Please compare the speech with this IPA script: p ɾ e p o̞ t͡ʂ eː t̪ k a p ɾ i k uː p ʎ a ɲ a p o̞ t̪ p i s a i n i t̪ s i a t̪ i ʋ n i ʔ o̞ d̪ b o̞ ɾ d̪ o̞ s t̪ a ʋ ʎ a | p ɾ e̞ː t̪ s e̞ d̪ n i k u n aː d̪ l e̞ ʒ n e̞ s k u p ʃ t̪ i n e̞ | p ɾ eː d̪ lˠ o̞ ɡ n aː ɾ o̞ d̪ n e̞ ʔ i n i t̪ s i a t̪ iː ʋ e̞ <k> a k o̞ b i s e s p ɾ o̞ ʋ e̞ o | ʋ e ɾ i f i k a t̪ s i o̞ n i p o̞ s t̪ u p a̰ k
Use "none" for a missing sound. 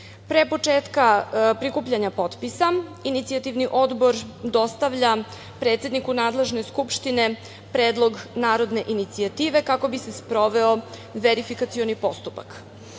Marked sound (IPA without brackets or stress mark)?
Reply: k